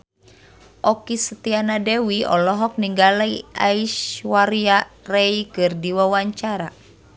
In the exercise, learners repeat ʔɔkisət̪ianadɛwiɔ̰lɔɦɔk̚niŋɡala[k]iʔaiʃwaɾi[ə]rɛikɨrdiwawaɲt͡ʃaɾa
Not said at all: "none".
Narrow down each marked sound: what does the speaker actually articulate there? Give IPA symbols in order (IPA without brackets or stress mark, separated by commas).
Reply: none, a